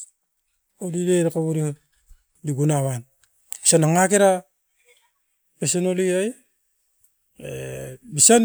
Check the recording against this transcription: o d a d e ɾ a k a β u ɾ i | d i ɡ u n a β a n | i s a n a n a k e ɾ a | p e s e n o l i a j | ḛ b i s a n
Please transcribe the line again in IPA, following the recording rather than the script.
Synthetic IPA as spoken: o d i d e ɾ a k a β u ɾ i | d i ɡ u n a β a n | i s a n a ŋ a k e ɾ a | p e s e n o l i a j | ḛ b i s a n